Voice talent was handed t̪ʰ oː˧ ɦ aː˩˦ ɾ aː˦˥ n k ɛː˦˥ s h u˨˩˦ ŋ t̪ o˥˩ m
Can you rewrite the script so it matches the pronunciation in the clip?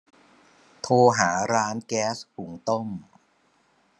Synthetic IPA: t̪ʰ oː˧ ɦ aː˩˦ ɾ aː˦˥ n k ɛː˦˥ s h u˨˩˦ ŋ t̪ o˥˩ m

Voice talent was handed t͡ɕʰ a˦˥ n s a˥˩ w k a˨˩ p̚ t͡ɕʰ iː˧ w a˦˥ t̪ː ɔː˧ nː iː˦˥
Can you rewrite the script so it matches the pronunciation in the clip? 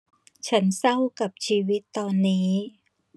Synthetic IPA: t͡ɕʰ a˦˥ n s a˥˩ w k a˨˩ p̚ t͡ɕʰ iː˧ w i˦˥ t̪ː ɔː˧ nː iː˦˥

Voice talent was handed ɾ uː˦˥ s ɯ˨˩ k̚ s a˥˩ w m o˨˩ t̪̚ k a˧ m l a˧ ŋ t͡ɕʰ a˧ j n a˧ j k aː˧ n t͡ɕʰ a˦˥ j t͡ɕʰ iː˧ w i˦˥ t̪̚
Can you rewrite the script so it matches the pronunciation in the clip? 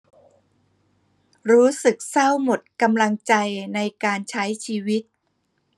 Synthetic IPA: ɾ uː˦˥ s ɯ˨˩ k̚ s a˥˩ w m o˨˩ t̪̚ k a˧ m l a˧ ŋ t͡ɕ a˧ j n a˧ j k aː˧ n t͡ɕʰ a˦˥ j t͡ɕʰ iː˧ w i˦˥ t̪̚

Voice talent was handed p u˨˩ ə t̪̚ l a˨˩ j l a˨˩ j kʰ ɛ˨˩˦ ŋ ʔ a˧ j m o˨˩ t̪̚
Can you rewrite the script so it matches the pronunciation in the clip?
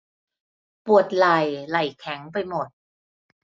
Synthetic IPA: p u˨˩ ə t̪̚ l a˨˩ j l a˨˩ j kʰ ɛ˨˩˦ ŋ p a˧ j m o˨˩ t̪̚

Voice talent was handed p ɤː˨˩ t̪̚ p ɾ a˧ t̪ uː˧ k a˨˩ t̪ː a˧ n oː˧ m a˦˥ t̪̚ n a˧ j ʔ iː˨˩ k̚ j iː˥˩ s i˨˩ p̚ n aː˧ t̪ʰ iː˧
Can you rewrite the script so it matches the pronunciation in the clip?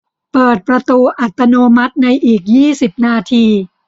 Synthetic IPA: p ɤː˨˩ t̪̚ p ɾ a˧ t̪ uː˧ ʔ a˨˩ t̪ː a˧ n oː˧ m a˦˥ t̪̚ n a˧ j ʔ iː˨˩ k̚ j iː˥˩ s i˨˩ p̚ n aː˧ t̪ʰ iː˧

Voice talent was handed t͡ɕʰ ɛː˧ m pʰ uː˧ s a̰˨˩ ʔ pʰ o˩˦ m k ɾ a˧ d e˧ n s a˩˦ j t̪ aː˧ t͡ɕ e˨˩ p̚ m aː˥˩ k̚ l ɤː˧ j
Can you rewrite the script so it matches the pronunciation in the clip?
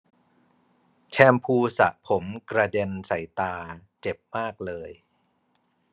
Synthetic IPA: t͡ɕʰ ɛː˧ m pʰ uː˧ s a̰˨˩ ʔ pʰ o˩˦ m k ɾ a˧ d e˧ n s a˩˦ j t̪ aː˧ t͡ɕ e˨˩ p̚ m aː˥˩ k̚ l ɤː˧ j

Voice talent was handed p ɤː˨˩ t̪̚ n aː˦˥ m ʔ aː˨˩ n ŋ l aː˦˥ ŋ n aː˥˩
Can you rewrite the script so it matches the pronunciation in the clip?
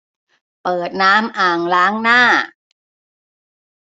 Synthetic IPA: p ɤː˨˩ t̪̚ n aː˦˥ m ʔ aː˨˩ ŋ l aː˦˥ ŋ n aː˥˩

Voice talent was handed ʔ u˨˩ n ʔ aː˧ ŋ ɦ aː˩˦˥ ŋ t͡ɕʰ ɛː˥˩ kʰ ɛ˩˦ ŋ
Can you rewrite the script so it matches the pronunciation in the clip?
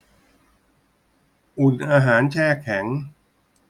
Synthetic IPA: ʔ u˨˩ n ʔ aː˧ ɦ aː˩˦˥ n t͡ɕʰ ɛː˥˩ kʰ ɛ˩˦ ŋ

